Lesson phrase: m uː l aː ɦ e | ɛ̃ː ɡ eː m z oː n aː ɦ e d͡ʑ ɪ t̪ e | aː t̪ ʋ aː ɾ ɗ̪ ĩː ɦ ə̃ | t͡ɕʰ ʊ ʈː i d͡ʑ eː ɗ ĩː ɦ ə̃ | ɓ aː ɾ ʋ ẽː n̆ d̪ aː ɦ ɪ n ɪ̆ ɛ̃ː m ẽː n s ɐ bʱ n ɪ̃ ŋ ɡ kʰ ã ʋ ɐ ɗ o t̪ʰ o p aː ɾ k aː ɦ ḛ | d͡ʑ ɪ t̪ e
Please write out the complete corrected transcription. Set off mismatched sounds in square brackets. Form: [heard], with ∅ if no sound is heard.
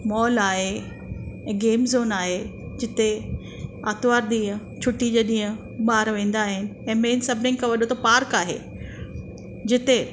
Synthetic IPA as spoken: m [ɔː] l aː ɦ e | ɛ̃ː ɡ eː m z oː n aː ɦ e d͡ʑ ɪ t̪ e | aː t̪ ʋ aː ɾ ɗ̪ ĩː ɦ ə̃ | t͡ɕʰ ʊ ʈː i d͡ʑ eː ɗ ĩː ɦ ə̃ | ɓ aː ɾ ʋ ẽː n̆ d̪ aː ɦ ɪ n ɪ̆ ɛ̃ː m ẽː n s ɐ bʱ n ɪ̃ ŋ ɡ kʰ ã ʋ ɐ ɗ o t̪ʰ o p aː ɾ k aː ɦ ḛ | d͡ʑ ɪ t̪ e